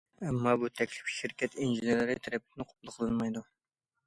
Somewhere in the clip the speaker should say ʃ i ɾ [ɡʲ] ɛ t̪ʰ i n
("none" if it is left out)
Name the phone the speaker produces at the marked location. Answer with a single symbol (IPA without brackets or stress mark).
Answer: kʲ